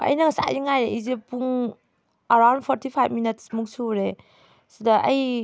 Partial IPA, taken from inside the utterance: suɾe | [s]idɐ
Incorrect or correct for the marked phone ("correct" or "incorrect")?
correct